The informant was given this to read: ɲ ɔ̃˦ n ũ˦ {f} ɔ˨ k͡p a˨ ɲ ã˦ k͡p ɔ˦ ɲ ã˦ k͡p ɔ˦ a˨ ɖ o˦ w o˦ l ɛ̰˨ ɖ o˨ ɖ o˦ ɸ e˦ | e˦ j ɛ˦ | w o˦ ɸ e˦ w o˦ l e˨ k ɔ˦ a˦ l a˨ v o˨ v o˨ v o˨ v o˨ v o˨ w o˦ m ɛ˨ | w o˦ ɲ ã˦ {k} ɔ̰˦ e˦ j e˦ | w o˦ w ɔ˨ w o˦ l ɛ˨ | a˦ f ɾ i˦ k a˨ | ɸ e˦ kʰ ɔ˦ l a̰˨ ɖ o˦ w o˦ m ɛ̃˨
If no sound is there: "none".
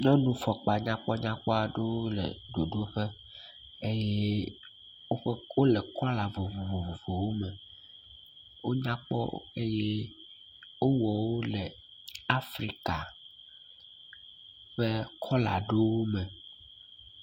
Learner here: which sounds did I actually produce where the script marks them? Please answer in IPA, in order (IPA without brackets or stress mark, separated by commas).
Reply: f, k͡p